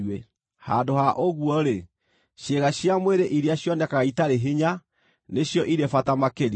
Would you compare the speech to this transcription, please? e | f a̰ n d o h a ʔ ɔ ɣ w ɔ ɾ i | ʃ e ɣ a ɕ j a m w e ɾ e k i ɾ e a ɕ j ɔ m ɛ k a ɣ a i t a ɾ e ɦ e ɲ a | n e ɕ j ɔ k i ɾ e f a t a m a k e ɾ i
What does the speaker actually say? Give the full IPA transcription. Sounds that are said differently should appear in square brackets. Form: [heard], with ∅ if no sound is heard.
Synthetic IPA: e | [h] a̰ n d o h a ʔ [o] ɣ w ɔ ɾ [e] | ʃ e ɣ a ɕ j a m w e ɾ e [ʔ] i ɾ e a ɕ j ɔ [n] ɛ k a ɣ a i t a ɾ e ɦ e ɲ a | n e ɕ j ɔ [ʔ] i ɾ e f a t a m a k e ɾ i